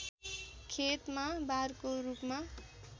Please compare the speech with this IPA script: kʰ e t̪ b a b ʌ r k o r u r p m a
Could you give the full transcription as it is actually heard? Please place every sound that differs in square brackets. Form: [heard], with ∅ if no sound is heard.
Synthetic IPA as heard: kʰ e t̪ [m] a b [a] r k o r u [∅] p m a

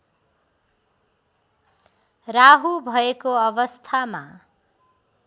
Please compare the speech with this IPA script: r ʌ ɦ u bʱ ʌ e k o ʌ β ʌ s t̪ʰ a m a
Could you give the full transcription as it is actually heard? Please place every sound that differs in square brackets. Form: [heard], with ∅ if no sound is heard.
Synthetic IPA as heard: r [a] ɦ u bʱ ʌ e k o ʌ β ʌ s t̪ʰ a m a

